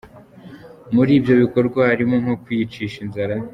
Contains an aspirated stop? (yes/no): no